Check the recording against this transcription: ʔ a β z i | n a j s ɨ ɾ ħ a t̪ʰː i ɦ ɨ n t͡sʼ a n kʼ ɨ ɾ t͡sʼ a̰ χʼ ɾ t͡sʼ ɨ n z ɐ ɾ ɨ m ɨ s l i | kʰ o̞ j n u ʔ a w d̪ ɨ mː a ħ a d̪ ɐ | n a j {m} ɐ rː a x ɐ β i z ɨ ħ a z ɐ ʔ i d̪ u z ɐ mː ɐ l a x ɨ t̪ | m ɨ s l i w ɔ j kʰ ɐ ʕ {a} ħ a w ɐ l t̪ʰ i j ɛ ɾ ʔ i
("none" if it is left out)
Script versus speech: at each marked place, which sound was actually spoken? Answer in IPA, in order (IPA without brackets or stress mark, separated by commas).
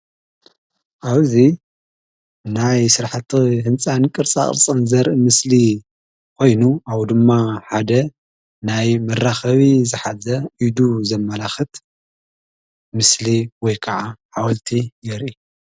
m, a